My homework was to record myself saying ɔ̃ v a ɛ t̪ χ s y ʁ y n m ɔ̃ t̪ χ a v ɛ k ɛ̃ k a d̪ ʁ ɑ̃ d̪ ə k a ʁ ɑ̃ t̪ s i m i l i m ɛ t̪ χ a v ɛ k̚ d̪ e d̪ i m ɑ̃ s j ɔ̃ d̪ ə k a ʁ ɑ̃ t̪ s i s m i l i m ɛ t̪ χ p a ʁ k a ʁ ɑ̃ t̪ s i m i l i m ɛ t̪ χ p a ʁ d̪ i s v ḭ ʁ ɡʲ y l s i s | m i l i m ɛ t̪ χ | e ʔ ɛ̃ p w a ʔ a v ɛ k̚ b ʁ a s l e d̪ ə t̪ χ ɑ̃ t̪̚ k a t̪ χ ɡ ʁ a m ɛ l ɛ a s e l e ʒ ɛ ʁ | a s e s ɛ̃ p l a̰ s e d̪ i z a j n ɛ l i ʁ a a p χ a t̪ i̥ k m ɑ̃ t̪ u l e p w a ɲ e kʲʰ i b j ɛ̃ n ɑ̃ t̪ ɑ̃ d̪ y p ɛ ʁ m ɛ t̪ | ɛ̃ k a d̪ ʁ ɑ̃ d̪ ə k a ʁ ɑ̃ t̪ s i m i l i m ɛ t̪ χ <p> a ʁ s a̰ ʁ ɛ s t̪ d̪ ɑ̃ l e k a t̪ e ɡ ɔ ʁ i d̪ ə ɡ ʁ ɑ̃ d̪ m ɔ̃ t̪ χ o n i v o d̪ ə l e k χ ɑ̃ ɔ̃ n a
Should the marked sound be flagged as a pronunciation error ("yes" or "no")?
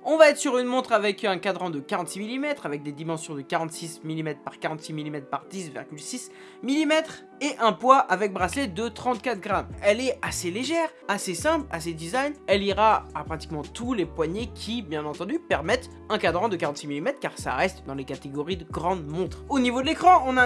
yes